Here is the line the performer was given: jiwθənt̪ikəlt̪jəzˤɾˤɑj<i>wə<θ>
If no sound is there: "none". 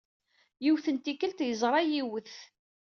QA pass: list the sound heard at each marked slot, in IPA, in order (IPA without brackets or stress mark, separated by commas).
i, θ